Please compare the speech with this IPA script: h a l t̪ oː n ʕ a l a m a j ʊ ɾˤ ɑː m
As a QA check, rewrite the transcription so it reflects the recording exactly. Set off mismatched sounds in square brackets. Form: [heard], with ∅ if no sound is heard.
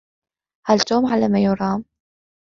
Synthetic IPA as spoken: h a l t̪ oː [m] ʕ a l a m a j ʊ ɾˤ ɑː m